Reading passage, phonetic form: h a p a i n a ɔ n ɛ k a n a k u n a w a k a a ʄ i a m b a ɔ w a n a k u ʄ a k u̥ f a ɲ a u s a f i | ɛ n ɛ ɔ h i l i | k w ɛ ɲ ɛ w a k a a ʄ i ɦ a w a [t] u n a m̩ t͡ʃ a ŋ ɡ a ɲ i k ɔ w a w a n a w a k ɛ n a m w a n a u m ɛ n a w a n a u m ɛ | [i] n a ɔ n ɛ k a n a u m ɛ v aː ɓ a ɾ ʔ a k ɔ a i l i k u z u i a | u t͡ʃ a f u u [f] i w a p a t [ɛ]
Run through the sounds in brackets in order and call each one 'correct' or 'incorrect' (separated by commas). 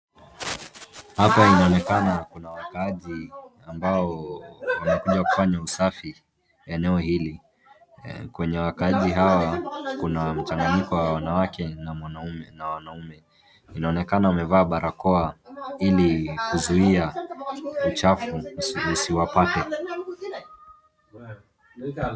incorrect, correct, incorrect, correct